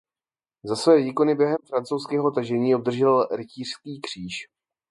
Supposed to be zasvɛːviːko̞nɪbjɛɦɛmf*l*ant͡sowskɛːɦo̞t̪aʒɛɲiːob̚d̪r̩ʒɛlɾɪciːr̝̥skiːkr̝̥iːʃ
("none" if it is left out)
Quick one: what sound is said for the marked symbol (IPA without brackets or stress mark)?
ɾ